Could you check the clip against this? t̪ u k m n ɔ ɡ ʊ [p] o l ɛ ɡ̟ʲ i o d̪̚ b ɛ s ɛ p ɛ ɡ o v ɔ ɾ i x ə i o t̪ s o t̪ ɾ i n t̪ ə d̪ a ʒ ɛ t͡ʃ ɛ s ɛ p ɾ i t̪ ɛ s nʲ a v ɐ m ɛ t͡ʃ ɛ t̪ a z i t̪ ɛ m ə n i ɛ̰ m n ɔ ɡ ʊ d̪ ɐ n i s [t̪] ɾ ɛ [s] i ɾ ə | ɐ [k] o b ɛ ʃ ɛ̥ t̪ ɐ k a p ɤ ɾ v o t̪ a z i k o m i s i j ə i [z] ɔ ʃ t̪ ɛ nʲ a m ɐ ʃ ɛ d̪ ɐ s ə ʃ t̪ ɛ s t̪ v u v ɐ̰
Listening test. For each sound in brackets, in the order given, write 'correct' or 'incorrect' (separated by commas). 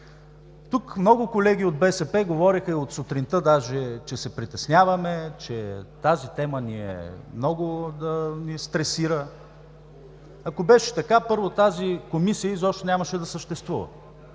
incorrect, correct, correct, correct, correct